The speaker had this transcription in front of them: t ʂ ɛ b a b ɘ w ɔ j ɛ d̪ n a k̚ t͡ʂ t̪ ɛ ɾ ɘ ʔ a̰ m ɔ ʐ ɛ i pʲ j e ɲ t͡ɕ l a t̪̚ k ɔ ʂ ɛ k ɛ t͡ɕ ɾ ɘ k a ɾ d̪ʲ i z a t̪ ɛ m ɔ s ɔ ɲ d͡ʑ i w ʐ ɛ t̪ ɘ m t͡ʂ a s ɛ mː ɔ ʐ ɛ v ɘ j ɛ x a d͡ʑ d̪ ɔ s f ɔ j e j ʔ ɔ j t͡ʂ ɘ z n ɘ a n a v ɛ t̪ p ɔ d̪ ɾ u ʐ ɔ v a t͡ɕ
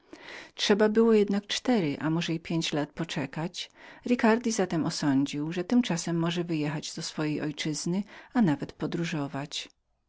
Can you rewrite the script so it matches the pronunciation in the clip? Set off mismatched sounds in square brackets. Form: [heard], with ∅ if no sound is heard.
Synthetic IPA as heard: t ʂ ɛ b a b ɘ w ɔ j ɛ d̪ n a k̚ t͡ʂ t̪ ɛ ɾ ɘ ʔ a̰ m ɔ ʐ ɛ i pʲ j e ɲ t͡ɕ l a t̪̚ [p] ɔ [t͡ʂ] ɛ k [a] t͡ɕ ɾ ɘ k a ɾ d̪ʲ i z a t̪ ɛ m ɔ s ɔ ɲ d͡ʑ i w ʐ ɛ t̪ ɘ m t͡ʂ a s ɛ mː ɔ ʐ ɛ v ɘ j ɛ x a d͡ʑ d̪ ɔ s f ɔ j e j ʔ ɔ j t͡ʂ ɘ z n ɘ a n a v ɛ t̪ p ɔ d̪ ɾ u ʐ ɔ v a t͡ɕ